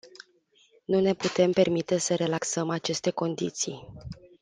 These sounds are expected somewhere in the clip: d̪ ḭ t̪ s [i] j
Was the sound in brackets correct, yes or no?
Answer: yes